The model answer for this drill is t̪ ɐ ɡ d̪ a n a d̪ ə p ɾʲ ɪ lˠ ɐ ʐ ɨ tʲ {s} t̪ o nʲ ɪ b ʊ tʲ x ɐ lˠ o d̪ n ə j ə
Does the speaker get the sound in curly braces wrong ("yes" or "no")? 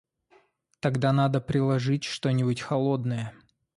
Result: yes